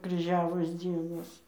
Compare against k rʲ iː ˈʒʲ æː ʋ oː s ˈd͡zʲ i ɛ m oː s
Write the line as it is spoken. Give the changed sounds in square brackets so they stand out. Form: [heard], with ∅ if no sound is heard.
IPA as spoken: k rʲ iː ˈʒʲ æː ʋ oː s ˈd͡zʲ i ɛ [n] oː s